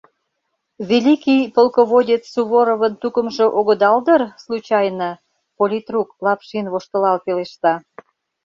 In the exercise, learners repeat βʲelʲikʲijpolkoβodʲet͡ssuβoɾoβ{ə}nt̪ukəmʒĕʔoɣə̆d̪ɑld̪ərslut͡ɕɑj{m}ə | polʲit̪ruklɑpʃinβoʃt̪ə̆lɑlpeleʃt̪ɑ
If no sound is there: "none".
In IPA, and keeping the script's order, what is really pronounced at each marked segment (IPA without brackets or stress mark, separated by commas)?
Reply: ə, n